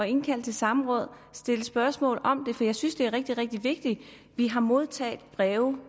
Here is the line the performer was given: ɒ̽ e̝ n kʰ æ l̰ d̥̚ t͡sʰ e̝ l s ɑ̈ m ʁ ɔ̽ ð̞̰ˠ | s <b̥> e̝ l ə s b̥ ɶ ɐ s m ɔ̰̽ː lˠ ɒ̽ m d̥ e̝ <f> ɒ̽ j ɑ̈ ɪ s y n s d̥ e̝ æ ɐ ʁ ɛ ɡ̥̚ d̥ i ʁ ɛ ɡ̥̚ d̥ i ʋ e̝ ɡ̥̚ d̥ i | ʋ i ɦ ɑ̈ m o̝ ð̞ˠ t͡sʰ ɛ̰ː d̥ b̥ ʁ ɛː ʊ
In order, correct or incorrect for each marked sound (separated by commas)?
incorrect, correct